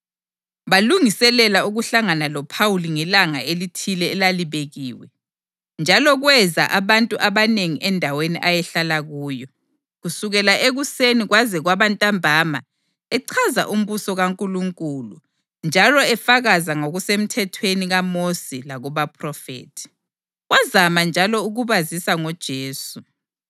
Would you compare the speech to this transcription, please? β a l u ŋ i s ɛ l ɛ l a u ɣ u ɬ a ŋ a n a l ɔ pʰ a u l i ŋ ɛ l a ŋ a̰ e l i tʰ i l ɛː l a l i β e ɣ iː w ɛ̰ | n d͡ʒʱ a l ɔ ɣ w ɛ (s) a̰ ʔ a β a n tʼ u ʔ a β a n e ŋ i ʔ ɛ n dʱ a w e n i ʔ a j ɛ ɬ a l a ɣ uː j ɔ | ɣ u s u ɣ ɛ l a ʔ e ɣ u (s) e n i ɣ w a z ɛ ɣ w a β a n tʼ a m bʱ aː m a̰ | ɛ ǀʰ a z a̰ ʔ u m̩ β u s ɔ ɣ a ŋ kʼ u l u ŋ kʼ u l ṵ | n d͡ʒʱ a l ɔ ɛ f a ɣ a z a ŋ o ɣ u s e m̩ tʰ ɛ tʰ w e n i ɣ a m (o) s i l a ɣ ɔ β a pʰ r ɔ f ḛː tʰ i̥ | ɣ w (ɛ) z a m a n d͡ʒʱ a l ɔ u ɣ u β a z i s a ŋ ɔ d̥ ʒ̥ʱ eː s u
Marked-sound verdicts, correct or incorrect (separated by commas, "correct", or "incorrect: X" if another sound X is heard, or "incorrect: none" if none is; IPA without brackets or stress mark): incorrect: z, correct, correct, incorrect: a